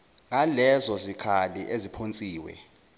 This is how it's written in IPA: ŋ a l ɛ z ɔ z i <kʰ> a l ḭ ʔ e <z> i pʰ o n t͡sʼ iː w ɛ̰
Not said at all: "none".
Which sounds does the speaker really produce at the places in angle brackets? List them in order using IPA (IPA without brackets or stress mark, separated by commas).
kʰ, z